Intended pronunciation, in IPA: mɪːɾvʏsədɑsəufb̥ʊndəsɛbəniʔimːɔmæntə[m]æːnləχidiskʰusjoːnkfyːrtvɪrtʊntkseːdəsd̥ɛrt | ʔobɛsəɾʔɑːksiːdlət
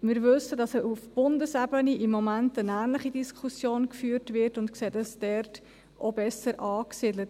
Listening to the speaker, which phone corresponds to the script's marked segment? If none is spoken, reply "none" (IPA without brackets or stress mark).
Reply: n